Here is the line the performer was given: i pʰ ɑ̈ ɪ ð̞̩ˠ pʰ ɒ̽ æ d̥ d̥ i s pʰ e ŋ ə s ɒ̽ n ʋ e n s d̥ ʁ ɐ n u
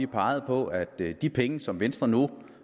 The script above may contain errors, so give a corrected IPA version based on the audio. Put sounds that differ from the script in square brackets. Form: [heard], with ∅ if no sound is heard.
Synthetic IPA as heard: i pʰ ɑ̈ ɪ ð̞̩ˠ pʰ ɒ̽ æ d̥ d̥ i [∅] pʰ e ŋ ə s ɒ̽ [m] ʋ e n s d̥ ʁ ɐ n u